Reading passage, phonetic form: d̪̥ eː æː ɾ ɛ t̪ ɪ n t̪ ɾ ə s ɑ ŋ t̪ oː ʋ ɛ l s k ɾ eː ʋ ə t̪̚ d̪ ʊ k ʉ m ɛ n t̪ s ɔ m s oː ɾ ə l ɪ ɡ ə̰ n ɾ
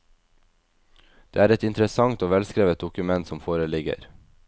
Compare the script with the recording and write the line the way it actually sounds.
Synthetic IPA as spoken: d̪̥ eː æː ɾ ɛ t̪ ɪ n t̪ ɾ ə s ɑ ŋ t̪ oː ʋ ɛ l s k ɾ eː ʋ ə t̪̚ d̪ ʊ k ʉ m ɛ n t̪ s ɔ m f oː ɾ ə l ɪ ɡ ə̰ ɾ